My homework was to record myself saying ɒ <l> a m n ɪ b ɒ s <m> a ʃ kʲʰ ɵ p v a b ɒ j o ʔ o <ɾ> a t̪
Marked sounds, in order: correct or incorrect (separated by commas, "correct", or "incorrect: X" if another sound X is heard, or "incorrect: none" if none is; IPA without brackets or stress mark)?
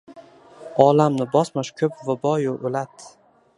correct, correct, incorrect: l